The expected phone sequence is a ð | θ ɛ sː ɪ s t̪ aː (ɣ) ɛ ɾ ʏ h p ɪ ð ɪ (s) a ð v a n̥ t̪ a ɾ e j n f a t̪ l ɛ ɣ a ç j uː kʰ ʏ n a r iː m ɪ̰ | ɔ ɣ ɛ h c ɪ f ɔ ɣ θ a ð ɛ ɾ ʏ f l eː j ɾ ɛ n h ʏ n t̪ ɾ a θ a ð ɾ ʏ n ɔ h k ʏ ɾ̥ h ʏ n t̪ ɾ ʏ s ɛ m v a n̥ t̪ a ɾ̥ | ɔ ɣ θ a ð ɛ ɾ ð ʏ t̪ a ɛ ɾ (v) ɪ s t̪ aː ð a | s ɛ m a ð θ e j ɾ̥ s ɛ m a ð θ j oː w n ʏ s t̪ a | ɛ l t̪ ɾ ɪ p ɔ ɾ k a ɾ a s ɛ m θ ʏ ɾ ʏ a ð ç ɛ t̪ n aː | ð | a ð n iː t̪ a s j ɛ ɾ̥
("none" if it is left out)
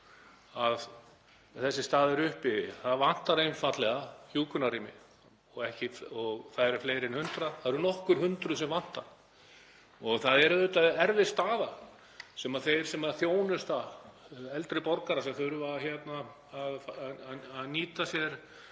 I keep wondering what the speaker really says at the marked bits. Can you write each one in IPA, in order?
ð, θ, v

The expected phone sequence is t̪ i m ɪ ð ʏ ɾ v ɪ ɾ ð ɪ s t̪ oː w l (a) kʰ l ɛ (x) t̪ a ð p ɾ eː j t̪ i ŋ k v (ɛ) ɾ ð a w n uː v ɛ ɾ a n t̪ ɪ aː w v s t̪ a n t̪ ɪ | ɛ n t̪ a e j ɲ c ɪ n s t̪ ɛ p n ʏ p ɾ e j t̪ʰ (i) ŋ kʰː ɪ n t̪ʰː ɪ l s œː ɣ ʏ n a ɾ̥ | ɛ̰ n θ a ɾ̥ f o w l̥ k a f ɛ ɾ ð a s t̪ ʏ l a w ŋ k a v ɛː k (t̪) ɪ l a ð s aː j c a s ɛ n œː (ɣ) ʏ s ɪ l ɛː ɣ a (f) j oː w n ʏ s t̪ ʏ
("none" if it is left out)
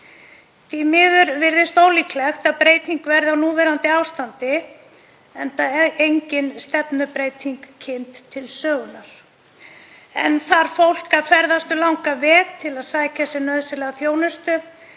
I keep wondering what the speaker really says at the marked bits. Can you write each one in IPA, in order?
i, x, ɛ, i, t̪ʰ, ð, θ

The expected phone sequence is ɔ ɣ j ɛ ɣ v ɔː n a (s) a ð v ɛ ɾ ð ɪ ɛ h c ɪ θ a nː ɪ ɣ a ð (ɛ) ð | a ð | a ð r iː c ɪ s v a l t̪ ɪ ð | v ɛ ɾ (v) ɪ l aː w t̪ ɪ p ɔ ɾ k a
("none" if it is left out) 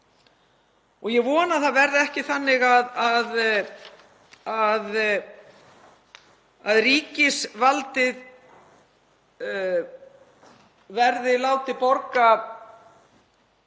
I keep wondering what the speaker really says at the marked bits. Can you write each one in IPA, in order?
θ, a, ð

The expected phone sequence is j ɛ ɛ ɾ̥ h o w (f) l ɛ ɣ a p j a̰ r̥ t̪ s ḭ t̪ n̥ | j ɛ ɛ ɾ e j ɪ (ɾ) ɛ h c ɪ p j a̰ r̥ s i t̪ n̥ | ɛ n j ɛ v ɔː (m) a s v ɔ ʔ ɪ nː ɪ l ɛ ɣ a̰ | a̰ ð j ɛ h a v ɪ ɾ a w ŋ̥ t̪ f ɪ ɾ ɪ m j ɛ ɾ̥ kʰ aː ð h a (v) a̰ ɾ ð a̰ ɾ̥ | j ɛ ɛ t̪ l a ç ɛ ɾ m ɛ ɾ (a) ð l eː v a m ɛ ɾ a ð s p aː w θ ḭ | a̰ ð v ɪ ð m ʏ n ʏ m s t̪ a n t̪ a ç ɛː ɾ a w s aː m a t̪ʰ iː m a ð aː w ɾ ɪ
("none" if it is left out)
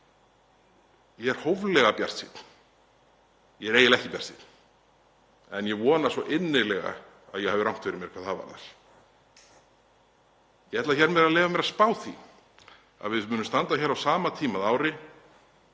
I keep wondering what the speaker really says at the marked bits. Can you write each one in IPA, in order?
v, l, n, v, a

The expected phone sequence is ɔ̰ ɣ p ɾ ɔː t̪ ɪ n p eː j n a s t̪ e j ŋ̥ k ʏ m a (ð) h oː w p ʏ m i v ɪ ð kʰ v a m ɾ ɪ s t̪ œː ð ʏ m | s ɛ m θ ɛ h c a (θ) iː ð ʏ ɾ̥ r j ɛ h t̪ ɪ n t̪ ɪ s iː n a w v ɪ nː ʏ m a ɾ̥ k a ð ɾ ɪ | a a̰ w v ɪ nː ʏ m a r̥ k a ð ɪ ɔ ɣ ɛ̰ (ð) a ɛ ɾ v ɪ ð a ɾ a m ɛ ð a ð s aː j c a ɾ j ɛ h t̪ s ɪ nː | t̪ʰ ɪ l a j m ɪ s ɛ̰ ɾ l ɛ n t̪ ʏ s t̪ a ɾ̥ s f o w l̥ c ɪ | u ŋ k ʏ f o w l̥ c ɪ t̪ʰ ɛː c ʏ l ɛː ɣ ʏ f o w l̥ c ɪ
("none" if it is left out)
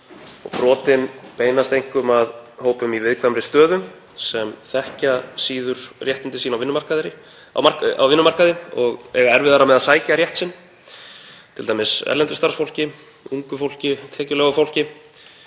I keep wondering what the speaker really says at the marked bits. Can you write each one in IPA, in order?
ð, s, ɣ

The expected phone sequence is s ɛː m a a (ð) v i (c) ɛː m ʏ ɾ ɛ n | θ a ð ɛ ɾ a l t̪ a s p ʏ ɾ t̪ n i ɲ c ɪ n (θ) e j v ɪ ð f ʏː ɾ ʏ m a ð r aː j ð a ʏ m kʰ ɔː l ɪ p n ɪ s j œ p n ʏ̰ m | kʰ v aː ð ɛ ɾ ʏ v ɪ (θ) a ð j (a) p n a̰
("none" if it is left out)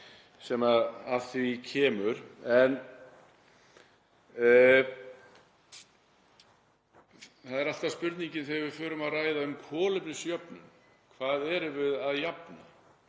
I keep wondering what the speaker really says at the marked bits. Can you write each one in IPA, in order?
θ, cʰ, θ, ð, a

